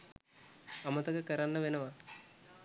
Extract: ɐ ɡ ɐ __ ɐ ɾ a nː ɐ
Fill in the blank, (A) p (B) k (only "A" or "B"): B